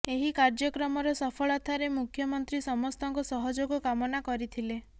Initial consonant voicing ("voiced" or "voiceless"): voiced